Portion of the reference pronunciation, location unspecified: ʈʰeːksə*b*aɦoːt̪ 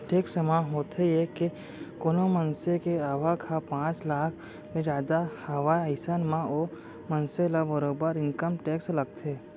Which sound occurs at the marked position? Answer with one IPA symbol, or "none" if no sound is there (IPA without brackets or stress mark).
m